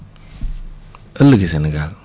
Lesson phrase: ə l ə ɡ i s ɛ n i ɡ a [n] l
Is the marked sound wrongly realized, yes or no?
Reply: yes